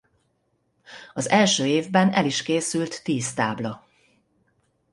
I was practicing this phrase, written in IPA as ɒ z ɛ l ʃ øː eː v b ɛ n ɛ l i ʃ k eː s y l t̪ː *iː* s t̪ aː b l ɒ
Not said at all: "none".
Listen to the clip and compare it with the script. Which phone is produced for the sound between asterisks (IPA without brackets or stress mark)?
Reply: iː